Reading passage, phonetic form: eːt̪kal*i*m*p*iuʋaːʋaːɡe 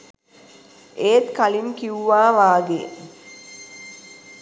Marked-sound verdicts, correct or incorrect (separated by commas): correct, incorrect